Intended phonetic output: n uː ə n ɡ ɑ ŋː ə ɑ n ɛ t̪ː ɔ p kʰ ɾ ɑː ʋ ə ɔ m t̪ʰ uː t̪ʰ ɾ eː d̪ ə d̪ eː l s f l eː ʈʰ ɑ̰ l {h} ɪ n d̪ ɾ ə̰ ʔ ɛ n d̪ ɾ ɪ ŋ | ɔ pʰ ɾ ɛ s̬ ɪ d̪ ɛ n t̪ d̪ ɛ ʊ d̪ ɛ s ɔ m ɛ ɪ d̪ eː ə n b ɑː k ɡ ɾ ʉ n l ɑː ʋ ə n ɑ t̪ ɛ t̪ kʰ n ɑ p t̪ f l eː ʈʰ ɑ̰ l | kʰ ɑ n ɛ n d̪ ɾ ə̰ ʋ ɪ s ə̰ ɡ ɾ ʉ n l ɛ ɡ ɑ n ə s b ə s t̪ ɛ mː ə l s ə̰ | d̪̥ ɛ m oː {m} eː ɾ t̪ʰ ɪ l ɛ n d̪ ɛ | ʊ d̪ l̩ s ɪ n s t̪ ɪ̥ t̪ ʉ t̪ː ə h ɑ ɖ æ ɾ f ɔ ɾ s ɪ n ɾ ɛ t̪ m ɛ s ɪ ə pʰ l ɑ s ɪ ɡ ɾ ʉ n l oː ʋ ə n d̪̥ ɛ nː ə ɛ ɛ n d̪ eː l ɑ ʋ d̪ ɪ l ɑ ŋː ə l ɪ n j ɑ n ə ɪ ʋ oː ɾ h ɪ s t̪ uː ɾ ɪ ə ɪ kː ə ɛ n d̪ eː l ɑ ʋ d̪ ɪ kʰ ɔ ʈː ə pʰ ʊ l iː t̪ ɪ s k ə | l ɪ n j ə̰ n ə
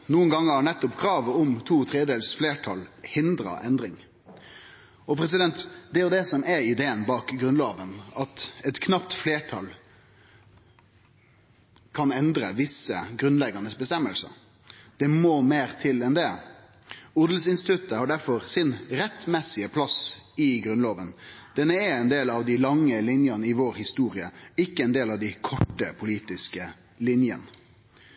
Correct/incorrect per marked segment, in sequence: correct, correct

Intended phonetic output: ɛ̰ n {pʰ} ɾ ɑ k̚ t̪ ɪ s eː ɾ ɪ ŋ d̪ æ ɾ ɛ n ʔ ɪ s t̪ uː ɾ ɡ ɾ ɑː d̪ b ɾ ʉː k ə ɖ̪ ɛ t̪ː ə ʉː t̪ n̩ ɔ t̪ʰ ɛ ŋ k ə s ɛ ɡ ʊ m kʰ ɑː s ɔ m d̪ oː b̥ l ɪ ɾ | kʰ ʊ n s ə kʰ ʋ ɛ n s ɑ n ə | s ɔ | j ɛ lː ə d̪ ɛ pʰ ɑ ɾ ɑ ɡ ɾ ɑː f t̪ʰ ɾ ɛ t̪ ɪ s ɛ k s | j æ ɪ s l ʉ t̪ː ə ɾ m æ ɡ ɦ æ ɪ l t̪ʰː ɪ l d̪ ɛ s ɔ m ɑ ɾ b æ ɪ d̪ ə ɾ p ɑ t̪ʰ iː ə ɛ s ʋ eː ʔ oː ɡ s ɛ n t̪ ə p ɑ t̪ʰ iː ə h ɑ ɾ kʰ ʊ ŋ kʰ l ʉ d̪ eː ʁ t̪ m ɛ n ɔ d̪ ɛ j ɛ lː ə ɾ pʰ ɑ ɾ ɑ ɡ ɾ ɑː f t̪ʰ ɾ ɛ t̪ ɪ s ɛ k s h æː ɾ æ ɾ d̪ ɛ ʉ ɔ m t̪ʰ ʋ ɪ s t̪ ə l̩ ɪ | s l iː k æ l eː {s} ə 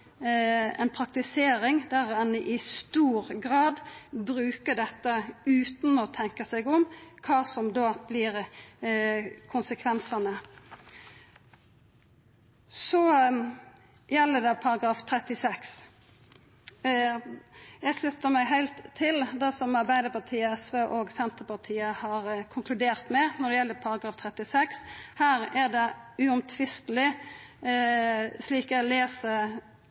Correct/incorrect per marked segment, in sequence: correct, correct

